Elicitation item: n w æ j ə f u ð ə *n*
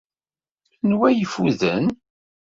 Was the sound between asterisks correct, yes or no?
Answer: yes